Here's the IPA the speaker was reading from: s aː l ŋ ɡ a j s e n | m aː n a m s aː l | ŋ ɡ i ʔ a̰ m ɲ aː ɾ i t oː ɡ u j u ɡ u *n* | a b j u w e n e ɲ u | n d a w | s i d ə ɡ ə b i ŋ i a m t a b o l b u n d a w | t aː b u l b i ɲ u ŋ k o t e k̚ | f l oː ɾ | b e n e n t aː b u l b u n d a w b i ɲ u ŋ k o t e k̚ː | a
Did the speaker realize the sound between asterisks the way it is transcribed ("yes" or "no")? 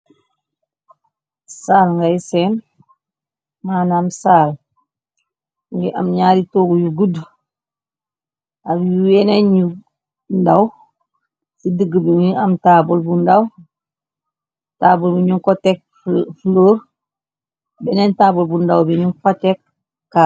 no